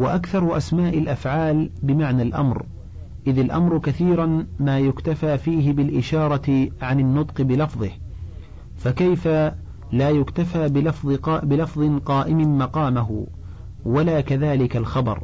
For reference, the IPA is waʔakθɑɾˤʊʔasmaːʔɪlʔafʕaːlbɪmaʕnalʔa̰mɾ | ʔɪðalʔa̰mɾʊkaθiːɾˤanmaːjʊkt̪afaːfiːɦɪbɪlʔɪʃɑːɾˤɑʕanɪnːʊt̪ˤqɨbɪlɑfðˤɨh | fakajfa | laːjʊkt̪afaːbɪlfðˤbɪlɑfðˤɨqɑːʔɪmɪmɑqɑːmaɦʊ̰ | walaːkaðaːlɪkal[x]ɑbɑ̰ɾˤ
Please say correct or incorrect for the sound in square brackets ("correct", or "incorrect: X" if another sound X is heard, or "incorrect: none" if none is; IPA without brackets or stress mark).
correct